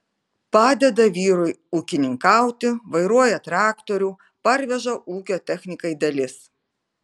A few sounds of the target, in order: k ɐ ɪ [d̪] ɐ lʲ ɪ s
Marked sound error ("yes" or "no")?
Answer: no